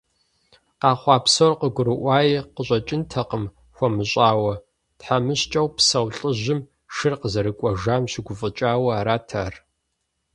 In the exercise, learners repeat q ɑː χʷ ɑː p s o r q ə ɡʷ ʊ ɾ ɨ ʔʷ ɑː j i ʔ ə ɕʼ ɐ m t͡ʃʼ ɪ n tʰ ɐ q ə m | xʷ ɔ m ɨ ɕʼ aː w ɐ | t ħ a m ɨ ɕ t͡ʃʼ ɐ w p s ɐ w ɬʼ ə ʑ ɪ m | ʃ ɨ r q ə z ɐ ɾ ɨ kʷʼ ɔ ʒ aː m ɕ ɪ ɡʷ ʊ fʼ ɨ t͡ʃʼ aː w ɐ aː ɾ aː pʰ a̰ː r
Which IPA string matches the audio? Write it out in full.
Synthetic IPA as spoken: q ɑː χʷ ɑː p s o r q ə ɡʷ ʊ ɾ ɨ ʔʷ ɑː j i q ə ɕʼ ɐ t͡ʃʼ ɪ n tʰ ɐ q ə m | xʷ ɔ m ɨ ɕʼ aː w ɐ | t ħ a m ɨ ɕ t͡ʃʼ ɐ w p s ɐ w ɬʼ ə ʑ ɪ m | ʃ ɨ r q ə z ɐ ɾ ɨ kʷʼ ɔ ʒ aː m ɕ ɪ ɡʷ ʊ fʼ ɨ t͡ʃʼ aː w ɐ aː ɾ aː tʰ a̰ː r